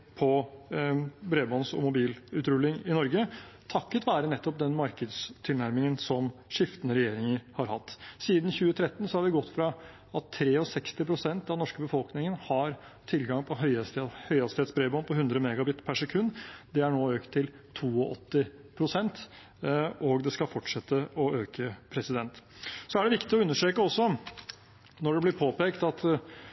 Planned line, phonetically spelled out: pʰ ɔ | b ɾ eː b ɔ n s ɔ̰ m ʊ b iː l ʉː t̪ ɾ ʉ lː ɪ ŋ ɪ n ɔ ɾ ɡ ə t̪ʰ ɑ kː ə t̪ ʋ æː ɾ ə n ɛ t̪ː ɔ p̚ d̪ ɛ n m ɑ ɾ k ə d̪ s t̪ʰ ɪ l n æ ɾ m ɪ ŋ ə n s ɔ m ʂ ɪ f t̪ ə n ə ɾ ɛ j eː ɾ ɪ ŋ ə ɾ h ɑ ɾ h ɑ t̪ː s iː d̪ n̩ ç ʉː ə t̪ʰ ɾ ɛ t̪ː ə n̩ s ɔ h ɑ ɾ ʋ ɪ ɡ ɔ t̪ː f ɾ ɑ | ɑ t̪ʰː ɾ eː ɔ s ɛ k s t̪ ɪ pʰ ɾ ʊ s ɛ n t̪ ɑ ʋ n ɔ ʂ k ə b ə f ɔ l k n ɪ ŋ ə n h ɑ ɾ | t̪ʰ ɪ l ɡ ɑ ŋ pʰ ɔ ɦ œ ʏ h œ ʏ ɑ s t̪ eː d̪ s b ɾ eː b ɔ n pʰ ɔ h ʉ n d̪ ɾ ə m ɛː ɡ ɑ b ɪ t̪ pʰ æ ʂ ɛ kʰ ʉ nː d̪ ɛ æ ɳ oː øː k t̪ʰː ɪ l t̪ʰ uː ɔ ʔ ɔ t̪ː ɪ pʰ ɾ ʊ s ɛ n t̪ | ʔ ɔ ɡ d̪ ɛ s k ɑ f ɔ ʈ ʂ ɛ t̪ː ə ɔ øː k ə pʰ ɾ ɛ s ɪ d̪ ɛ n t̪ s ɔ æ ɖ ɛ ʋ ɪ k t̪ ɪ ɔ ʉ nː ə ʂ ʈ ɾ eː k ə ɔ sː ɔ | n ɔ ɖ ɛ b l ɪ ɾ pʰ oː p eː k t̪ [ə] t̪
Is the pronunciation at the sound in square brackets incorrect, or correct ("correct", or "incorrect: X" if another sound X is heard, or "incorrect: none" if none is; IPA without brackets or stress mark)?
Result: incorrect: ɑ